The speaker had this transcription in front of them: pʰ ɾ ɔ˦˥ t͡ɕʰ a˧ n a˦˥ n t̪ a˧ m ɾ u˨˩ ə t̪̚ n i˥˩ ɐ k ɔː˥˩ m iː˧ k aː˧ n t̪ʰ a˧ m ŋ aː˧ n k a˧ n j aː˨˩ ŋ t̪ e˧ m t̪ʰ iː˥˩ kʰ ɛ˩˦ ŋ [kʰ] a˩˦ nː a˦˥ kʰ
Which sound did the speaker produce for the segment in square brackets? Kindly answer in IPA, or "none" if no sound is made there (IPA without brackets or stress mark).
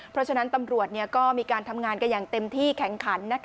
kʰ